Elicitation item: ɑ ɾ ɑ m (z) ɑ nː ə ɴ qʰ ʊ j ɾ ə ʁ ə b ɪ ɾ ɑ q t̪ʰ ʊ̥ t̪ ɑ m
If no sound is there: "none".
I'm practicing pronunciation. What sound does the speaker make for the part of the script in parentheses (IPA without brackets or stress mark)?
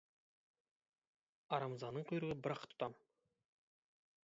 z